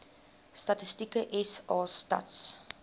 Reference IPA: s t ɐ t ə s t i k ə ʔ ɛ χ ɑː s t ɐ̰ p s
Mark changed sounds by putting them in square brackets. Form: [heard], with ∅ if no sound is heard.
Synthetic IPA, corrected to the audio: s t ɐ t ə s t i k ə ʔ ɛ [s] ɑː s t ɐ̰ [t] s